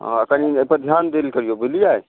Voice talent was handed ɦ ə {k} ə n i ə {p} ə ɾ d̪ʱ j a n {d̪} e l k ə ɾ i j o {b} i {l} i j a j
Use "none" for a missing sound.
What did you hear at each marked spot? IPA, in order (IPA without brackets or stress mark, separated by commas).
k, p, d̪, b, l